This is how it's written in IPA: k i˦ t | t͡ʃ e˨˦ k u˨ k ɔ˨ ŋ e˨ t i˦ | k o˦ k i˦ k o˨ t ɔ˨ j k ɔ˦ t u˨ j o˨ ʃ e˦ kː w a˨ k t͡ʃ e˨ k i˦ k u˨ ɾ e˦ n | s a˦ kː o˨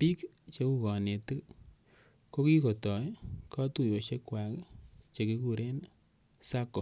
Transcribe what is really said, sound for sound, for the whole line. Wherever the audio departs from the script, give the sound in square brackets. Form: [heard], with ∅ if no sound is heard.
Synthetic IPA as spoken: [p] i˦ [k] | t͡ʃ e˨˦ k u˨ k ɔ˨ [n] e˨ t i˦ | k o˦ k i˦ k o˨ t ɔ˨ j k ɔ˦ t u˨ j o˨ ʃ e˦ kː w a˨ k t͡ʃ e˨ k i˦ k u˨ ɾ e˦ n | s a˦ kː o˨